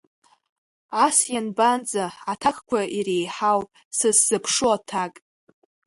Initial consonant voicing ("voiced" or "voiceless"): voiceless